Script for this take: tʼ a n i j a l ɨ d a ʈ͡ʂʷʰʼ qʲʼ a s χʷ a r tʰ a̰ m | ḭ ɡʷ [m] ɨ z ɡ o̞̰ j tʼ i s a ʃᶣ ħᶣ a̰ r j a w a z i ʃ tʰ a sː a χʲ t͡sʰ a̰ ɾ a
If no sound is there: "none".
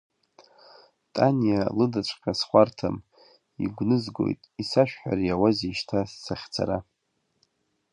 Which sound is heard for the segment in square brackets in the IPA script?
n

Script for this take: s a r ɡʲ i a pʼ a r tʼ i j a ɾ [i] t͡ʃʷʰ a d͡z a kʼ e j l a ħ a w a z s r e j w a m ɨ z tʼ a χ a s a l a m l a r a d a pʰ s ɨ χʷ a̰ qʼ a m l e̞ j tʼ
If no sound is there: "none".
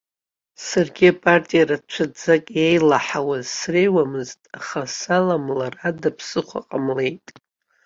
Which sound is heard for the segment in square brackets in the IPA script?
a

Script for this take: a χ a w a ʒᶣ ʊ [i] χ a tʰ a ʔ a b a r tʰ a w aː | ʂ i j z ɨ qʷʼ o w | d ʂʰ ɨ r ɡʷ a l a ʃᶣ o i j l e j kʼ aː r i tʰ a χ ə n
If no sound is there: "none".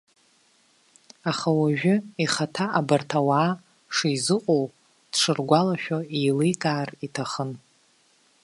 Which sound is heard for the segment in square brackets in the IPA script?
i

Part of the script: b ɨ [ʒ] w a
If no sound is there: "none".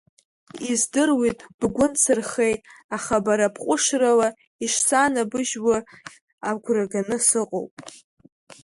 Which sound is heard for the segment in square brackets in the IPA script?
ʒ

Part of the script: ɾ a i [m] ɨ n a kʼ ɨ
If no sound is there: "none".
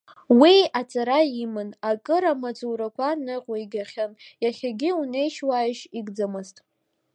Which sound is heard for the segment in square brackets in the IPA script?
m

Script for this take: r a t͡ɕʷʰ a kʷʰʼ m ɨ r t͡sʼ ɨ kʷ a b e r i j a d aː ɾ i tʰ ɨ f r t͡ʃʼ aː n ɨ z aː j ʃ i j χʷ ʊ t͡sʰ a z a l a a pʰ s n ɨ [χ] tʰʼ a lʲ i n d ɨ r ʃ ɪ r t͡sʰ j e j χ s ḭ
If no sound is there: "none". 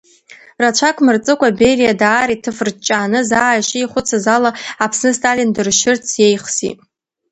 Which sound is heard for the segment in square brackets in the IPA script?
s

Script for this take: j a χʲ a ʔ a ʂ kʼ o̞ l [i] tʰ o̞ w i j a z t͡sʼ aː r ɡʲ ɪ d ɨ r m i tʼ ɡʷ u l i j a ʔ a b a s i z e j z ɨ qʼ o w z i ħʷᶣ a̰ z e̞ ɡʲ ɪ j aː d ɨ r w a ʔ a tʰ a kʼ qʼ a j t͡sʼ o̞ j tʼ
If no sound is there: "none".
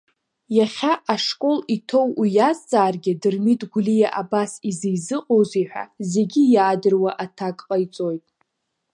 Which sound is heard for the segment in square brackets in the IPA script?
i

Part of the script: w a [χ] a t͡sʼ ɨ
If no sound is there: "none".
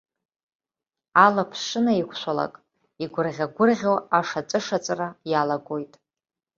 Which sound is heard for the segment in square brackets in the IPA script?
ʂ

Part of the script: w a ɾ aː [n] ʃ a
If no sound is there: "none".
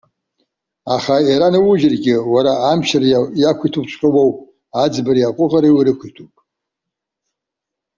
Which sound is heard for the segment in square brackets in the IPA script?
m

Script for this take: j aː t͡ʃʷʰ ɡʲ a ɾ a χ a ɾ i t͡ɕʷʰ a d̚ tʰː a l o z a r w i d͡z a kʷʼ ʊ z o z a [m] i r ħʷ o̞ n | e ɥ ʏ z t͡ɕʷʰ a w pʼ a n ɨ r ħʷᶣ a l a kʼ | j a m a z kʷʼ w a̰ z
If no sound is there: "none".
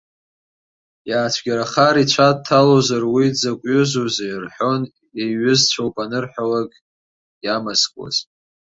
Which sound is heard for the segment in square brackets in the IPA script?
none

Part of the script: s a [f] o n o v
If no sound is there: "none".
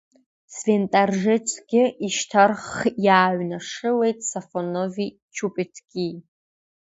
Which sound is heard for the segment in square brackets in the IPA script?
f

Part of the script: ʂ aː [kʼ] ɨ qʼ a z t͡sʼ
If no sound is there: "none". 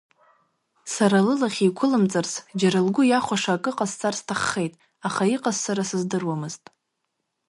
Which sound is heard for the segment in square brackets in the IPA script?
kʼ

